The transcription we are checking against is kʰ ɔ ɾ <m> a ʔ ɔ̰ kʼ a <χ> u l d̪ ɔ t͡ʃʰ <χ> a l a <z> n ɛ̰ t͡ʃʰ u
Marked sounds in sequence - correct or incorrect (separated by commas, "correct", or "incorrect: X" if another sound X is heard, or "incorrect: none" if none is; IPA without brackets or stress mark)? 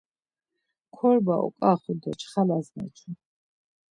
incorrect: b, correct, correct, correct